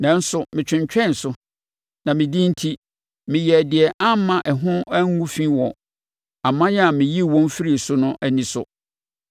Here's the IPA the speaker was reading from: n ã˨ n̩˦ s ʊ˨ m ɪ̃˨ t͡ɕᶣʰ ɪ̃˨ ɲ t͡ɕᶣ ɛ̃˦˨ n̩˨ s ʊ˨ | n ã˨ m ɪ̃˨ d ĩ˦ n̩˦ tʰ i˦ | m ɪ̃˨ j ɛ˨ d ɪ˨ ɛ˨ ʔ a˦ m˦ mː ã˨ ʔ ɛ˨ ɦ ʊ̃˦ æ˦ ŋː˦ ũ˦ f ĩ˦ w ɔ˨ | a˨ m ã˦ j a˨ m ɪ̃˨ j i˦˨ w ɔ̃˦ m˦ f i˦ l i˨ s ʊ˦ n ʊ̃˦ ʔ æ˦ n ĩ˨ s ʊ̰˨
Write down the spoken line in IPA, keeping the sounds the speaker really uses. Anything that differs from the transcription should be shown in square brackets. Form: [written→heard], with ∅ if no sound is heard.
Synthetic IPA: n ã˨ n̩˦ s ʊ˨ m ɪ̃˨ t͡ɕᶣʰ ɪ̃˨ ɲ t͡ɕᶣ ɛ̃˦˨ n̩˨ s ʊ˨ | n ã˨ m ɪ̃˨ d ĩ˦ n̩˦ tʰ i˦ | m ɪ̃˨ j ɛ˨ d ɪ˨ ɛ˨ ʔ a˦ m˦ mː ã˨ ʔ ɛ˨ ɦ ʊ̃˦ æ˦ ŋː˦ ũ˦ f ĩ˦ w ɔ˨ | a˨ m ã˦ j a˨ m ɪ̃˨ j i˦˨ w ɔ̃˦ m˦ f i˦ [l→ɾ] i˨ s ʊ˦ n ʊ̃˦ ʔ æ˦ n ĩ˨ s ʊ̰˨